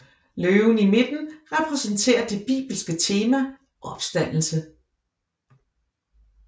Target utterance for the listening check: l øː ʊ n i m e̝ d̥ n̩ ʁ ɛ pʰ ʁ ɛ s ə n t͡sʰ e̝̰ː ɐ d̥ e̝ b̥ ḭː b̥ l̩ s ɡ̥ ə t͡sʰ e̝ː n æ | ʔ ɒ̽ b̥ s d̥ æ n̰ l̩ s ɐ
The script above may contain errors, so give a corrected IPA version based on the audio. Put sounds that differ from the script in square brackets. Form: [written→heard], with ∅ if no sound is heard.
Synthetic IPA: l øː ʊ n i m e̝ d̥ n̩ ʁ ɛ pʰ ʁ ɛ s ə n t͡sʰ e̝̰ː ɐ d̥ e̝ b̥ ḭː b̥ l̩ s ɡ̥ ə t͡sʰ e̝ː [n→m] æ | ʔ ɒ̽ b̥ s d̥ æ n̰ l̩ s [ɐ→ə]

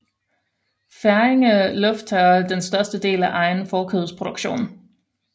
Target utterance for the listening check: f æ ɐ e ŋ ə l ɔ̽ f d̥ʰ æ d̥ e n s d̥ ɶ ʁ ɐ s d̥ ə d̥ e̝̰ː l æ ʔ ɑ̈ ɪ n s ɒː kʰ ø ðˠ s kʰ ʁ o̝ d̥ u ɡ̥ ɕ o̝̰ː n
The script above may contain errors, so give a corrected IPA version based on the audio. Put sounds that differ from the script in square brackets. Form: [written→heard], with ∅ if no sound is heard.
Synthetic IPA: f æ ɐ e ŋ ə l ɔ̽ f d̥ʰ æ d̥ e n s d̥ ɶ [ʁ→∅] ɐ s d̥ ə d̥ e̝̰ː l æ ʔ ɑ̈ ɪ n [s→f] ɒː kʰ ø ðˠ s [kʰ→pʰ] ʁ o̝ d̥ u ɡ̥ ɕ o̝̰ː n

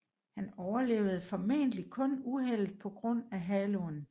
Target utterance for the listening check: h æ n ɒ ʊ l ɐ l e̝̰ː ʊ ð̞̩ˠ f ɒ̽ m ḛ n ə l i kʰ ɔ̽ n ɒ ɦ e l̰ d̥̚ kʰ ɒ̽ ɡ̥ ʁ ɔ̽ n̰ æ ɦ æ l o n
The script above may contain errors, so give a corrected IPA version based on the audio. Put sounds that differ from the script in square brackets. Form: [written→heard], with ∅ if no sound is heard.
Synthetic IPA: h æ n ɒ ʊ [l→∅] ɐ l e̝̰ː ʊ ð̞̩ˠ f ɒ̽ m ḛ n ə l i kʰ ɔ̽ n [ɒ→u] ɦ e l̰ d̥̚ [kʰ→pʰ] ɒ̽ ɡ̥ ʁ ɔ̽ n̰ æ ɦ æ l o n

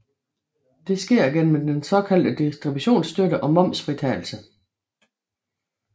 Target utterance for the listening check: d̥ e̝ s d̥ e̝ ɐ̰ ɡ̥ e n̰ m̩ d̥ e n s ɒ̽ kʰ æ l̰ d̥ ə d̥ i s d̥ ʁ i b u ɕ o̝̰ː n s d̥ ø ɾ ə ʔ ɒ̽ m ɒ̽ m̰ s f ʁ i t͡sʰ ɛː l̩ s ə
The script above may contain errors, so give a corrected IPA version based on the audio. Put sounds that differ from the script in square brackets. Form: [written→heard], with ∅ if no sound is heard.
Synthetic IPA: d̥ e̝ s [d̥→ɡ̥] e̝ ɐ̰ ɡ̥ e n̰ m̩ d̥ e n s ɒ̽ kʰ æ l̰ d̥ ə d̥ i s d̥ ʁ i b u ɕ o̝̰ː n s d̥ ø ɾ ə ʔ ɒ̽ m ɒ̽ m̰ s f ʁ i t͡sʰ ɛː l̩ s ə

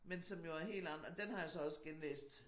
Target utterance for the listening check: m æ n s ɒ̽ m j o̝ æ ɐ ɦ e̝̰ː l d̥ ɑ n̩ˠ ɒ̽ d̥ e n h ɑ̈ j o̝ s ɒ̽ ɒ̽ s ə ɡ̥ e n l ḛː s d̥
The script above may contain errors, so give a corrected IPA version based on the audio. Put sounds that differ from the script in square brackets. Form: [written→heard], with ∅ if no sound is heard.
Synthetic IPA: m [æ→e] n s ɒ̽ m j o̝ æ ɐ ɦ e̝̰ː l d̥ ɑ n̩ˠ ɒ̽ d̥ e n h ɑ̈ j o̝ s ɒ̽ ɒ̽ s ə ɡ̥ e n l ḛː s d̥

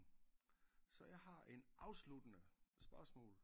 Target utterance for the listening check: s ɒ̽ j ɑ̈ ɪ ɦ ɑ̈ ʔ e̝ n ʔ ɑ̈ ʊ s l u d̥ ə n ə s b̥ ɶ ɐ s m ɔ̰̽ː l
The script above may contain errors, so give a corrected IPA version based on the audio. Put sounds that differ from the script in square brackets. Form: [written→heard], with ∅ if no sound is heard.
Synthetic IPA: s ɒ̽ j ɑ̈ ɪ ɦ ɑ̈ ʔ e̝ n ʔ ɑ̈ ʊ s l u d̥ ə n ə s b̥ ɶ ɐ s m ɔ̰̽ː l

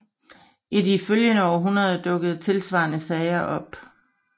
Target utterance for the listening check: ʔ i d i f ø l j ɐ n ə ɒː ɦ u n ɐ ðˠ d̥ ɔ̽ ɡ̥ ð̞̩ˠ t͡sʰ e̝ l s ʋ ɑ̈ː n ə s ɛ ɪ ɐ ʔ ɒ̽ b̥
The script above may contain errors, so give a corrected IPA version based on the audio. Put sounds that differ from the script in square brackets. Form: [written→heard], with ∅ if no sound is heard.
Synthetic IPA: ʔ i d i f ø l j [ɐ→ə] n ə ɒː ɦ u n ɐ ðˠ d̥ ɔ̽ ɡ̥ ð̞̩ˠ t͡sʰ e̝ l s ʋ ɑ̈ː n ə s ɛ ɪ ɐ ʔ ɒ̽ b̥

